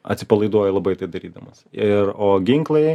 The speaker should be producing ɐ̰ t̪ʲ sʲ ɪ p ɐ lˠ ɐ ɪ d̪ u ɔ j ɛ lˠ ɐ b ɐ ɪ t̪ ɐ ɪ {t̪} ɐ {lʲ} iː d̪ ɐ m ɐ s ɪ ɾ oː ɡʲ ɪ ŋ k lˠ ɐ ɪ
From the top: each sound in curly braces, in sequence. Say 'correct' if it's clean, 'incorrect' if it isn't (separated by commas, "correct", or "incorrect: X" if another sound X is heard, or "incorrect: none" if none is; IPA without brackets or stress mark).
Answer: incorrect: d̪, incorrect: ɾʲ